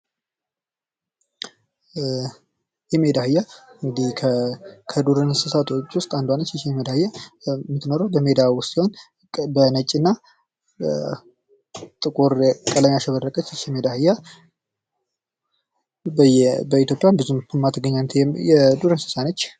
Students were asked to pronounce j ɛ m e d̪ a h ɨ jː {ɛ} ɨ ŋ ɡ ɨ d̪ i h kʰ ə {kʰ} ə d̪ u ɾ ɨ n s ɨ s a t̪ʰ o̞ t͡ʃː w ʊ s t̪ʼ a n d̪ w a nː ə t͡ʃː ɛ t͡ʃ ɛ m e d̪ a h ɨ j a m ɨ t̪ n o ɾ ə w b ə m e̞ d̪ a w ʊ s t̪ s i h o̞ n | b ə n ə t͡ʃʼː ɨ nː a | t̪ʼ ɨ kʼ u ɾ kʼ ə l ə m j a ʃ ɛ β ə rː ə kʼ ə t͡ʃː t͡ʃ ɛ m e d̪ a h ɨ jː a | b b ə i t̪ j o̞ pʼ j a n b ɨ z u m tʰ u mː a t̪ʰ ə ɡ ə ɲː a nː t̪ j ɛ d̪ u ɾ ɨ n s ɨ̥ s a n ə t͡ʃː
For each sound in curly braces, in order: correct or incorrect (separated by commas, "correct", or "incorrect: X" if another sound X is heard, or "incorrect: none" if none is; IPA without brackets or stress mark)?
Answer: incorrect: a, correct